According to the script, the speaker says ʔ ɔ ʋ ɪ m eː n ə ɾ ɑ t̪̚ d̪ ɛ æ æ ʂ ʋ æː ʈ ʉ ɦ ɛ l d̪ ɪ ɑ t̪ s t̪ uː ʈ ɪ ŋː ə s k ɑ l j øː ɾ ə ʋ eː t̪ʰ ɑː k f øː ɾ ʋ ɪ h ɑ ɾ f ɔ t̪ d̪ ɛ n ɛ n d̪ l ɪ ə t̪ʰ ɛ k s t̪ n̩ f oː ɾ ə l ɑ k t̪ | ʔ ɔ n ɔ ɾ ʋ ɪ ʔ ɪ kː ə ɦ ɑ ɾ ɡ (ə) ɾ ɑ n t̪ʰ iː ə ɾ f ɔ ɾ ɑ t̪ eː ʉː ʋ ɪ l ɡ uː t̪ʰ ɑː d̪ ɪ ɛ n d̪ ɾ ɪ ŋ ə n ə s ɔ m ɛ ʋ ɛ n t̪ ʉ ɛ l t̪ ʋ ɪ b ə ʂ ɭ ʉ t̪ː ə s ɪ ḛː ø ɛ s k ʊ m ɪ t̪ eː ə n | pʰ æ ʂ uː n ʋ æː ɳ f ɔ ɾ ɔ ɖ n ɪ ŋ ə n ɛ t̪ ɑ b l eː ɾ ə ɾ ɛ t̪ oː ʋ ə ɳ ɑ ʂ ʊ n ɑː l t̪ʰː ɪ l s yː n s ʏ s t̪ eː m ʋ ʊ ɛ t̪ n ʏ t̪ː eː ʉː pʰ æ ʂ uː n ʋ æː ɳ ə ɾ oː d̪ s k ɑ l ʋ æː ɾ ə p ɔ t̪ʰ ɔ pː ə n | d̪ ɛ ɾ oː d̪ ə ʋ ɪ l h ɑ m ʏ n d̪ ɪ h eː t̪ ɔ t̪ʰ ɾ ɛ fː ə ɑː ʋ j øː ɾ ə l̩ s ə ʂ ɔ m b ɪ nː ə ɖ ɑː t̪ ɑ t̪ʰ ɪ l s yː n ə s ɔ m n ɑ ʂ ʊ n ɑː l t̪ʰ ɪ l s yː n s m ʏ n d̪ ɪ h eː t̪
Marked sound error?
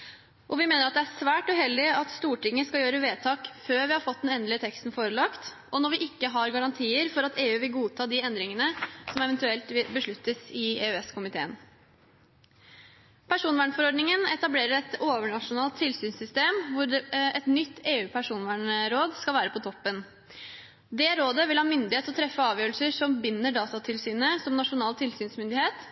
yes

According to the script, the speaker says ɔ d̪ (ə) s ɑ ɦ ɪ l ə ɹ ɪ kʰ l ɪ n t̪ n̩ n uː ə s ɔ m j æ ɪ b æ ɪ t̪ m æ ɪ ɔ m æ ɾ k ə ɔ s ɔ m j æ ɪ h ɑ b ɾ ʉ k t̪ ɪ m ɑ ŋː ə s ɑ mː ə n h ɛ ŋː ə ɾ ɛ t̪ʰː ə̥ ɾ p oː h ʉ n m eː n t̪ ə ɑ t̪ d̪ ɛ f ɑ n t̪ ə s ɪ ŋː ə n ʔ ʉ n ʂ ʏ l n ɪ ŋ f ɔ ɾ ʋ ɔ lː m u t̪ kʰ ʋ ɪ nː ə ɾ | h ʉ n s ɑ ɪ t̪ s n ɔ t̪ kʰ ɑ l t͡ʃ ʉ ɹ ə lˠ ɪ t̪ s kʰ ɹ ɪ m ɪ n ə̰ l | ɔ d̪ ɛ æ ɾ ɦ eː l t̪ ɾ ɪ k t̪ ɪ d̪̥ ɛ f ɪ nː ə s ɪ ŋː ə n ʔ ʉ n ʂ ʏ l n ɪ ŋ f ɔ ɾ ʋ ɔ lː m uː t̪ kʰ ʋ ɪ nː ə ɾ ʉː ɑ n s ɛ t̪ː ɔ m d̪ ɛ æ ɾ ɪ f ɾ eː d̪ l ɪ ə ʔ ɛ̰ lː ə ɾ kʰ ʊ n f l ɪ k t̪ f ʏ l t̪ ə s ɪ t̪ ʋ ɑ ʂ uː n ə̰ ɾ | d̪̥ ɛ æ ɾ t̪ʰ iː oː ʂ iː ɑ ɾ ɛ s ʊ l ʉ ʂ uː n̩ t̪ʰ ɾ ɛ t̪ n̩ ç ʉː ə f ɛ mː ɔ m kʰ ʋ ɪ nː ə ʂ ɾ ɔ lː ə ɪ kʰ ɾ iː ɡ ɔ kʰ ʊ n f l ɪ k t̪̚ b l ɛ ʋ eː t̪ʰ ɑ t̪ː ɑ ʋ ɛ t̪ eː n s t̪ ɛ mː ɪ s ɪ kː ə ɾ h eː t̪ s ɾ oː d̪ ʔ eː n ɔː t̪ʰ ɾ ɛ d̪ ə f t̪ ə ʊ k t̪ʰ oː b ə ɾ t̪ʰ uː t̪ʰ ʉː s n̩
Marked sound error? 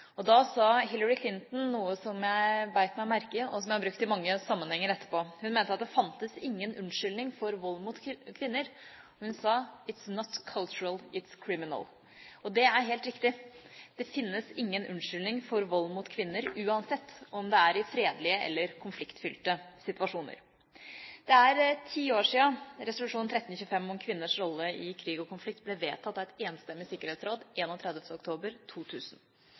yes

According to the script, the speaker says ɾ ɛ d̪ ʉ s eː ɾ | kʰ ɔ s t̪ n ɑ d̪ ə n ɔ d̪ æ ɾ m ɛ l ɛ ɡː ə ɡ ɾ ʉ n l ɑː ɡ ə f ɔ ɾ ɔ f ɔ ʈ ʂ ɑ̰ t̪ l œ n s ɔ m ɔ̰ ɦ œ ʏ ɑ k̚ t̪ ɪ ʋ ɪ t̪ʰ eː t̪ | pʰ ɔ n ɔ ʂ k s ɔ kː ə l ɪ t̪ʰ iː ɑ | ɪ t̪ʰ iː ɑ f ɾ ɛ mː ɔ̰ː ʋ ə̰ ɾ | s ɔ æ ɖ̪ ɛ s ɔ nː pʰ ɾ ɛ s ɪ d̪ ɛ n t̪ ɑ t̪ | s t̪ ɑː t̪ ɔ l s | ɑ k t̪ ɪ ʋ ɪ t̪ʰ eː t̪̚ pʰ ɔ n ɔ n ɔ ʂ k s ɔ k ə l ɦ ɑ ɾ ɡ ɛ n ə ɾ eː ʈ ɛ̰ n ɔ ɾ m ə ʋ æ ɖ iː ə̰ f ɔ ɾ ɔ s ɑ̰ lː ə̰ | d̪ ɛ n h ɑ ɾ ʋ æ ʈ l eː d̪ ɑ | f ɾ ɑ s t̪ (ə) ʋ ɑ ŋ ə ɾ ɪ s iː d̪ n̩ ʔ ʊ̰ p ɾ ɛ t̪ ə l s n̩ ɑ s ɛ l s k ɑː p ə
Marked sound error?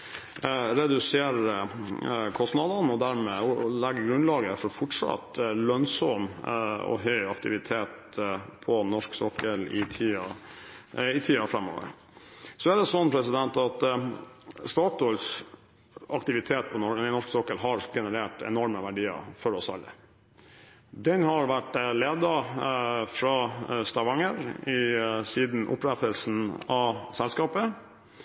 yes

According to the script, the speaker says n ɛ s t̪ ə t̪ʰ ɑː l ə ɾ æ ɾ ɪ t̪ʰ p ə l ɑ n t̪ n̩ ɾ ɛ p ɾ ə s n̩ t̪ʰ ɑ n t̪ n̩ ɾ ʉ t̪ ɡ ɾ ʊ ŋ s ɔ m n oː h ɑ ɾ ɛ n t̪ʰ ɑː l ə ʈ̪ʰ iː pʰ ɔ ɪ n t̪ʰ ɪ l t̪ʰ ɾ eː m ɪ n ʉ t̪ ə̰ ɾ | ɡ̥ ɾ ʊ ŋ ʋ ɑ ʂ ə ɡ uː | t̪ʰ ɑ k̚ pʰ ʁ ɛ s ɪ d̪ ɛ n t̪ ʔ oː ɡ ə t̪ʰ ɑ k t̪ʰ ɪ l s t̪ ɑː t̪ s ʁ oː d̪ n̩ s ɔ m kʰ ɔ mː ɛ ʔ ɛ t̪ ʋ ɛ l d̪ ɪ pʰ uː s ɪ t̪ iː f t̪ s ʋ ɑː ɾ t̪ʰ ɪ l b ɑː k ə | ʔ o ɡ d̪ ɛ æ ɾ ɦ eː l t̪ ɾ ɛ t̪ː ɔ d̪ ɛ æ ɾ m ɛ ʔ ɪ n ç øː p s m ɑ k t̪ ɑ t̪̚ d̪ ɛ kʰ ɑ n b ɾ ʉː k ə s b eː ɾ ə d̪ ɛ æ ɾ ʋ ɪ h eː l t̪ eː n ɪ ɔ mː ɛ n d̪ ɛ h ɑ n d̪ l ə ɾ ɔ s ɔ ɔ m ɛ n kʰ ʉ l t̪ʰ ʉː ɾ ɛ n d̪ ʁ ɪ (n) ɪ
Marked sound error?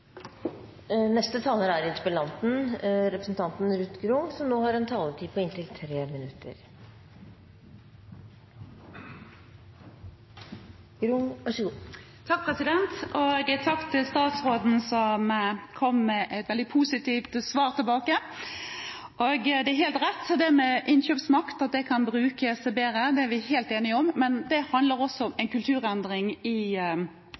yes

